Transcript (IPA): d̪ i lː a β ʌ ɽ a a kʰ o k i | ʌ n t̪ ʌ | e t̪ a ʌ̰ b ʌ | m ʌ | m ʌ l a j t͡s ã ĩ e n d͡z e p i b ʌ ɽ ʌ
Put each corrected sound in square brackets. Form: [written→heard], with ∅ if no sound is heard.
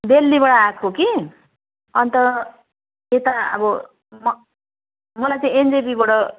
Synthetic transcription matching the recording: d̪ [i→e] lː [a→i] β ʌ ɽ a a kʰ o k i | ʌ n t̪ ʌ | e t̪ a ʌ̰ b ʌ | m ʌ | m ʌ l a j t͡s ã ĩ e n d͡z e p i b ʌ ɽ ʌ

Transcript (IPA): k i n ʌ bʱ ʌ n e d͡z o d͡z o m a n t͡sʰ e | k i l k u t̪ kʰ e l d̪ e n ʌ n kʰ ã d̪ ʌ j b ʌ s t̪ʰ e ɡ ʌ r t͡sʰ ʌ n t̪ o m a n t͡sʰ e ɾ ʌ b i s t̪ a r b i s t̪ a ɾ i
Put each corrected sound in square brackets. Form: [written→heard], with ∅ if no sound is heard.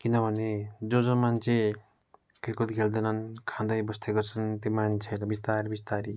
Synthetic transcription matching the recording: k i n ʌ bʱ ʌ n e d͡z o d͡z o m a n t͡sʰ e | k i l k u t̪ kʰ e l d̪ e n ʌ n kʰ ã d̪ ʌ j b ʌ s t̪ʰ e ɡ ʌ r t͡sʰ ʌ n t̪ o m a n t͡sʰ e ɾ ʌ b i s t̪ a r b i s t̪ a ɾ i

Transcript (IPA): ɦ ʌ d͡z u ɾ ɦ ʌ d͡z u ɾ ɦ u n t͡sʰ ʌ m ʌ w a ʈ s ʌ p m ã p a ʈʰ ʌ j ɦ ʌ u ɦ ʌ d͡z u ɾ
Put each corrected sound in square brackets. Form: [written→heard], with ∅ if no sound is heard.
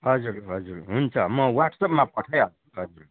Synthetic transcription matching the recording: ɦ ʌ d͡z u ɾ ɦ ʌ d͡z u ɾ ɦ u n t͡sʰ ʌ m ʌ w a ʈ s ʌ p m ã p [a→ʌ] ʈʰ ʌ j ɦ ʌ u ɦ ʌ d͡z u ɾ

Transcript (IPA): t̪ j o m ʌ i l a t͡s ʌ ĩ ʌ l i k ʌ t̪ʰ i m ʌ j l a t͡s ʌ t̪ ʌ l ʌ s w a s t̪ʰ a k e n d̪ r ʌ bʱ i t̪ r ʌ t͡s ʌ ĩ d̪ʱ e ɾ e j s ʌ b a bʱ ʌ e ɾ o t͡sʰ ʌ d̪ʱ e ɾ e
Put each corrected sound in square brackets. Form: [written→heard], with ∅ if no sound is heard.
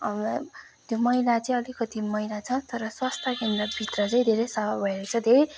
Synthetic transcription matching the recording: t̪ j o m ʌ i l a t͡s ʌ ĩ ʌ l i k ʌ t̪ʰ i m ʌ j l a [t͡s→t͡sʰ] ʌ t̪ ʌ [l→ɾ] ʌ s w a s t̪ʰ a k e n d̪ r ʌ bʱ i t̪ r ʌ t͡s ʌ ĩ d̪ʱ e ɾ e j s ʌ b a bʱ ʌ e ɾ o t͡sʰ ʌ d̪ʱ e ɾ e

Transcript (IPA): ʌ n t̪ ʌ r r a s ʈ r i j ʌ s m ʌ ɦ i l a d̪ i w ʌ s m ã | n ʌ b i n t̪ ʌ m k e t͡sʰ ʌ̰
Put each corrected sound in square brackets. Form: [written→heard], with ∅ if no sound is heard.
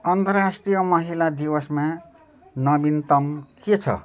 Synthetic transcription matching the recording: ʌ n t̪ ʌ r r a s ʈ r i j ʌ [s→∅] m ʌ ɦ i l a d̪ i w ʌ s m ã | n ʌ b i n t̪ ʌ m k e t͡sʰ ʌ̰

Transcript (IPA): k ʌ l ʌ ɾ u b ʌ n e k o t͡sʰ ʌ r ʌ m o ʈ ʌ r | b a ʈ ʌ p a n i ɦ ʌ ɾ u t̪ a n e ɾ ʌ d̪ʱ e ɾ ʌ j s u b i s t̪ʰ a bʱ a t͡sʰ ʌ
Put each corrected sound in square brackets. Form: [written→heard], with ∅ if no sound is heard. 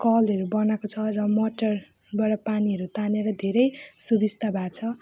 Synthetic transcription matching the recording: k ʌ l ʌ ɾ u b ʌ n [e→a] k o t͡sʰ ʌ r ʌ m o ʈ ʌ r | b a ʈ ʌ p a n i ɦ ʌ ɾ u t̪ a n e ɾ ʌ d̪ʱ e ɾ ʌ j s u b i s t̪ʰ a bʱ a t͡sʰ ʌ

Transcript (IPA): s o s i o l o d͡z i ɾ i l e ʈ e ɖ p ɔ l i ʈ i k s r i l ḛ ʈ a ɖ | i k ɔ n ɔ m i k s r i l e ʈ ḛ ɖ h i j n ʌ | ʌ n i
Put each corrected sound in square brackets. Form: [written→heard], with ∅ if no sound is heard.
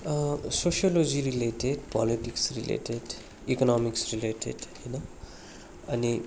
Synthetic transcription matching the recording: s o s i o l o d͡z i ɾ i l e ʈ e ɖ p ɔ l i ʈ i k s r i l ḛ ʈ [a→e] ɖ | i k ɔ n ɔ m i k s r i l e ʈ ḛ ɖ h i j n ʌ | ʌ n i

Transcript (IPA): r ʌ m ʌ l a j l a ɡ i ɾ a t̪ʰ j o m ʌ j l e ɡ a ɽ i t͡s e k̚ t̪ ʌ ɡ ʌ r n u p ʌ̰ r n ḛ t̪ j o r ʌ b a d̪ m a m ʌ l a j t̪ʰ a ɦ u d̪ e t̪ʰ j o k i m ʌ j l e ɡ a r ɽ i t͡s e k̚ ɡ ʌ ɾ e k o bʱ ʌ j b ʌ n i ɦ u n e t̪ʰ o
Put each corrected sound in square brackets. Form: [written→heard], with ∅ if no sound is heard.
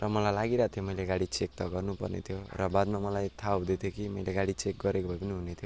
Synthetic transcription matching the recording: r ʌ m ʌ l a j l a ɡ i ɾ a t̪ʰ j o m ʌ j l e ɡ a ɽ i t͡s e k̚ t̪ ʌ ɡ ʌ r n u p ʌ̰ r n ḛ [t̪→t̪ʰ] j o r ʌ b a d̪ m a m ʌ l a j t̪ʰ a ɦ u d̪ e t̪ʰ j o k i m ʌ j l e ɡ a [r→∅] ɽ i t͡s e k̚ ɡ ʌ ɾ e k o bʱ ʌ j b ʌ n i ɦ u n e t̪ʰ o

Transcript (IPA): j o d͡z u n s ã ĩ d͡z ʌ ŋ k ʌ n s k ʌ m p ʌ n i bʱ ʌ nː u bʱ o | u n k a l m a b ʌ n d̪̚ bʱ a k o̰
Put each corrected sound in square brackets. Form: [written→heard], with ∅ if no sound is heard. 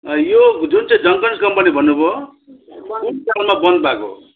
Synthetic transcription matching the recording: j o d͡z u n [s→t͡s] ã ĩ d͡z ʌ ŋ k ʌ n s k ʌ m p ʌ n i bʱ ʌ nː u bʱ o | u n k a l m a b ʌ n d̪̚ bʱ a k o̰

